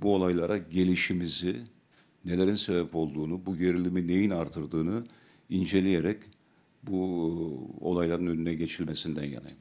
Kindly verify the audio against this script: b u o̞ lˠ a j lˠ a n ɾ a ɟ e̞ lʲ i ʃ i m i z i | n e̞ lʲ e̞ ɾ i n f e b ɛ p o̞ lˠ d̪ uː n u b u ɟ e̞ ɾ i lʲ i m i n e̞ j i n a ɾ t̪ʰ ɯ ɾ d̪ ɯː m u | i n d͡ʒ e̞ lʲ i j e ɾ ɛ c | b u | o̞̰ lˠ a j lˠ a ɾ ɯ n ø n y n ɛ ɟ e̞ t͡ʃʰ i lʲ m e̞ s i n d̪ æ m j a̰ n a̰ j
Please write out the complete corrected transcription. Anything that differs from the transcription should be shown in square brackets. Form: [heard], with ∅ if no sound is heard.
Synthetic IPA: b u o̞ lˠ a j lˠ a [∅] ɾ a ɟ e̞ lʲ i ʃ i m i z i | n e̞ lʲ e̞ ɾ i n [s] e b ɛ p o̞ lˠ d̪ uː n u b u ɟ e̞ ɾ i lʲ i m i n e̞ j i n a ɾ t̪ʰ ɯ ɾ d̪ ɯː [n] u | i n d͡ʒ e̞ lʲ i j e ɾ ɛ c | b u | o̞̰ lˠ a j lˠ a ɾ ɯ n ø n y n ɛ ɟ e̞ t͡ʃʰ i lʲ m e̞ s i n d̪ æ [n] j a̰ n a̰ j